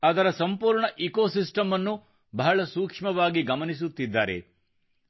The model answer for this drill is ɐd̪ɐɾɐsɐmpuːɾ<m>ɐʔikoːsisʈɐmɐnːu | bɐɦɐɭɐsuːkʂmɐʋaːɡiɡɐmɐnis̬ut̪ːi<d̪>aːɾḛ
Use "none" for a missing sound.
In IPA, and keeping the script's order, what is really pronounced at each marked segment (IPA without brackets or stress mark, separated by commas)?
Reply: ɳ, d̪ː